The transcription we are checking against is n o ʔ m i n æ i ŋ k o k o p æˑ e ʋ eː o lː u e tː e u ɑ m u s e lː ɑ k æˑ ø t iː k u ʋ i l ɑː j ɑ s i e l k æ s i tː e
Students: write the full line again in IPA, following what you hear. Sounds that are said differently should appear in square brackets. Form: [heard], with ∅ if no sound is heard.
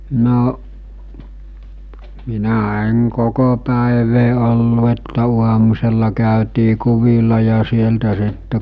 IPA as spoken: n o ʔ m i n æ [e] ŋ k o k o p æˑ e ʋ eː o lː u e tː [æ] u ɑ m u s e lː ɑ k æˑ ø t iː k u ʋ i l [ɑ] j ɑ s i e l [t] æ s i tː e